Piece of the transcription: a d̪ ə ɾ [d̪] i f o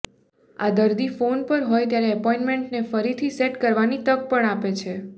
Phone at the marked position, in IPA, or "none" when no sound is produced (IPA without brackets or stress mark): d̪